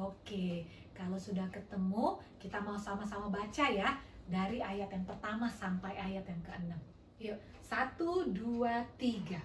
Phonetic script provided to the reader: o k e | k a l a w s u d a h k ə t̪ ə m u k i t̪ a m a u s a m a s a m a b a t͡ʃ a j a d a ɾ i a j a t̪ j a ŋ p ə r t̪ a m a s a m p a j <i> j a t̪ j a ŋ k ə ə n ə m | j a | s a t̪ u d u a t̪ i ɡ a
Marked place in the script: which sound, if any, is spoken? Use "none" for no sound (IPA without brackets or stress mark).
a